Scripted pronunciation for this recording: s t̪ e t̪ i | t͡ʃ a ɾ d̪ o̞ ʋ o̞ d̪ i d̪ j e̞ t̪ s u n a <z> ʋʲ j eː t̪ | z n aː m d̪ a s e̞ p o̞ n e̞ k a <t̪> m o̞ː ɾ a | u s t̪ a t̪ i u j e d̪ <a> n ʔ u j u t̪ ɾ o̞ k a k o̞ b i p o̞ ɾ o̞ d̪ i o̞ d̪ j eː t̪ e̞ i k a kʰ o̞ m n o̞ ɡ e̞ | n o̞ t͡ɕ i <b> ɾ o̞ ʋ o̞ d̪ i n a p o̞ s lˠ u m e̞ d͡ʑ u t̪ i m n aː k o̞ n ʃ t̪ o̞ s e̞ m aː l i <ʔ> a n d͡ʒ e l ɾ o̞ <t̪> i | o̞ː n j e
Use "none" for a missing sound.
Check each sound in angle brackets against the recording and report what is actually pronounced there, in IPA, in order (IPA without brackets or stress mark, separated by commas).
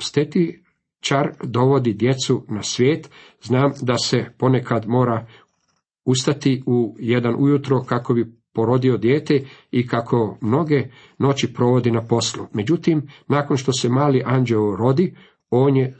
s, d̪, a, p, ʔ, d̪